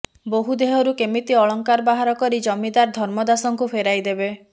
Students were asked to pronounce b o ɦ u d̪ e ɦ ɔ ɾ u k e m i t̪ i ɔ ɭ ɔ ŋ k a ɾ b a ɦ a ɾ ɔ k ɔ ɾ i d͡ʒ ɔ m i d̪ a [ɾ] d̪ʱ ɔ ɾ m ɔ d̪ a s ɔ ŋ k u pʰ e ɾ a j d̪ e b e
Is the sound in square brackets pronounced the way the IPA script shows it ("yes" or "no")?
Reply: yes